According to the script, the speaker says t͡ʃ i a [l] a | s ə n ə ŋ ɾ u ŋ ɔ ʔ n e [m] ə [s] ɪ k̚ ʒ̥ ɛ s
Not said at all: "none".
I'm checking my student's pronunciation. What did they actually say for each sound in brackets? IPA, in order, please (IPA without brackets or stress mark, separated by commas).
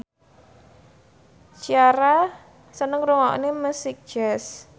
ɾ, m, s